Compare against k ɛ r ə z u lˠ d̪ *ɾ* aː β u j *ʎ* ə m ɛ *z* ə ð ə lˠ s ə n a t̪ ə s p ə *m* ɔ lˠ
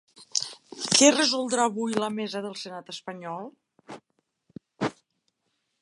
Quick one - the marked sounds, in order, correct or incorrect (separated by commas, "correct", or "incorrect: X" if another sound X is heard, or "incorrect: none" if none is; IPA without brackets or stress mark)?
correct, incorrect: l, correct, incorrect: ɲ